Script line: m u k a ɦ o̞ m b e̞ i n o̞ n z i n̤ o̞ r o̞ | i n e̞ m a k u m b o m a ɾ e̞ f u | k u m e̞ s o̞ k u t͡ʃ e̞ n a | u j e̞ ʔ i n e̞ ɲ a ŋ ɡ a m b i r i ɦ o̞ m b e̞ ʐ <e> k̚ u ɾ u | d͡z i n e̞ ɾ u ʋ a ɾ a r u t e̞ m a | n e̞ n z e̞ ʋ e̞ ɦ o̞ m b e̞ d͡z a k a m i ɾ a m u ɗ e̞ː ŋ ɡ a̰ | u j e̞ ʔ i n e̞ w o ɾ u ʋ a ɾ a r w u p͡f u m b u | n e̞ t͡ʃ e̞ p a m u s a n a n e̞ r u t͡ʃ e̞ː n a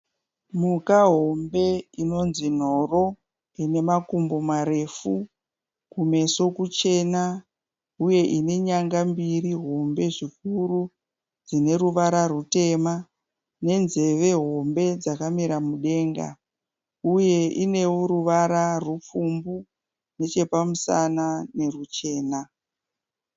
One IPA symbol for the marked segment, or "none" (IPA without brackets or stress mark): i